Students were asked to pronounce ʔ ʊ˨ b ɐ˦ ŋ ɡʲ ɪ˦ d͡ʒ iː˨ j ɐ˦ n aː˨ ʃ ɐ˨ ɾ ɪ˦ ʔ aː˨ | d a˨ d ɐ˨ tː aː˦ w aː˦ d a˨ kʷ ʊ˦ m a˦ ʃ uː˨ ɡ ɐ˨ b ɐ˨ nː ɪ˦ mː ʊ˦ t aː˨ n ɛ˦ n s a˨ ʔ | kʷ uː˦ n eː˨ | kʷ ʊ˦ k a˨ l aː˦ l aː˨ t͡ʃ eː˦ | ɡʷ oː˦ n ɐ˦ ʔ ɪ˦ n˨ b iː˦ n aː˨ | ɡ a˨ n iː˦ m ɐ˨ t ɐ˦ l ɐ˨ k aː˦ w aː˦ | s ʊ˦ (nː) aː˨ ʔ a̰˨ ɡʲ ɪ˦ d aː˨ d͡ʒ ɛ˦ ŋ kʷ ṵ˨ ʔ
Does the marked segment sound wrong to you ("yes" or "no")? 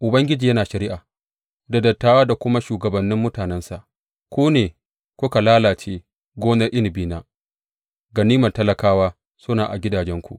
yes